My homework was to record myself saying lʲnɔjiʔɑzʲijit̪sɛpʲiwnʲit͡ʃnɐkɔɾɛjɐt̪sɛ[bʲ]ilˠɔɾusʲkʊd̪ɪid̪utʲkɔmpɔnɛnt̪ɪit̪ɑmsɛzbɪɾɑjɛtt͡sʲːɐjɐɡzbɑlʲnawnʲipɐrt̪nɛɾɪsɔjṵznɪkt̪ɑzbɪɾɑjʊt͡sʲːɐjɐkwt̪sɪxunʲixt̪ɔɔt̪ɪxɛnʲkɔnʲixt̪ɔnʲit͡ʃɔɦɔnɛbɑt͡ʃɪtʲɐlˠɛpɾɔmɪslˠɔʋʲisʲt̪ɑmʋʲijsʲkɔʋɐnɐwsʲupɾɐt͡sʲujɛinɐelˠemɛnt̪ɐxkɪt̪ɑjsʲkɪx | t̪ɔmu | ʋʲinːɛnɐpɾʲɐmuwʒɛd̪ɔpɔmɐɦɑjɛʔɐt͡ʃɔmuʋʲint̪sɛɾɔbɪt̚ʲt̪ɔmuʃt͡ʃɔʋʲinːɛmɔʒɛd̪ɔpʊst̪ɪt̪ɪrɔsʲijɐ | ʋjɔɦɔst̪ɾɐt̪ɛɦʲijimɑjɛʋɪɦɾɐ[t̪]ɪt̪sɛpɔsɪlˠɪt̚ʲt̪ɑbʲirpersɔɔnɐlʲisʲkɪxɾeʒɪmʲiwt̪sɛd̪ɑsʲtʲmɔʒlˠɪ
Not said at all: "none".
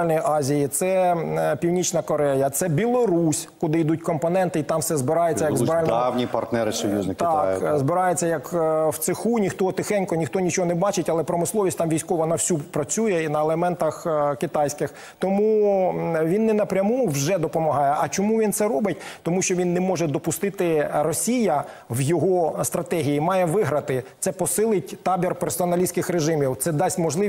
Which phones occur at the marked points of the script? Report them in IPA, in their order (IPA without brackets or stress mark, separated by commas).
bʲ, t̪